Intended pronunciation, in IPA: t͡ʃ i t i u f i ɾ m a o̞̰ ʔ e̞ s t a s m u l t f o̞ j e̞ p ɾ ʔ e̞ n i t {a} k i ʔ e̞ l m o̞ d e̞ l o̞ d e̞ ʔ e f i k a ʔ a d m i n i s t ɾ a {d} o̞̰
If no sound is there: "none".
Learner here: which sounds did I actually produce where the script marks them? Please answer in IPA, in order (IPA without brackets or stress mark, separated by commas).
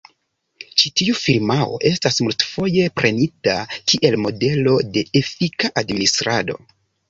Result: a, d